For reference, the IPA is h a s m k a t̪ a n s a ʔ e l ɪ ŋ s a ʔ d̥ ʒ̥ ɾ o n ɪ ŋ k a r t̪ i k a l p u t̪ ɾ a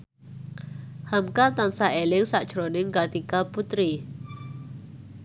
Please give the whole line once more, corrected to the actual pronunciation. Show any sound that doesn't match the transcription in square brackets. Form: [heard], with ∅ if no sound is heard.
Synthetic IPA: h a [∅] m k a t̪ a n s a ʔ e l ɪ ŋ s a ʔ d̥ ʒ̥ ɾ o n ɪ ŋ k a r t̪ i k a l p u t̪ ɾ [i]